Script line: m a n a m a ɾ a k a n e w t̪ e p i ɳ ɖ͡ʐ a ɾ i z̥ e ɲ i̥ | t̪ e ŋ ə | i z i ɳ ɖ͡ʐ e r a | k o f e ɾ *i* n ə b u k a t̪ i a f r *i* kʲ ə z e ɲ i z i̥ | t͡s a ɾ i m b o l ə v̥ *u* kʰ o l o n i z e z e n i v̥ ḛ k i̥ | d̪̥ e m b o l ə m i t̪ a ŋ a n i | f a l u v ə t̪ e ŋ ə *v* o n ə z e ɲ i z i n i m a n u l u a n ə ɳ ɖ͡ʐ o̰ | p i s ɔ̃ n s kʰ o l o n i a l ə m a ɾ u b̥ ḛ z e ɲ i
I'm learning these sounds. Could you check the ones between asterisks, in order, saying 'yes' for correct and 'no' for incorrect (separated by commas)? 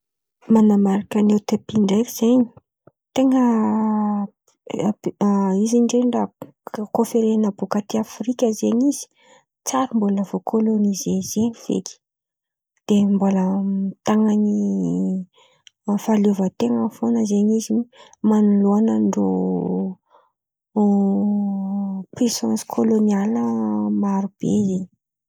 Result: no, yes, no, no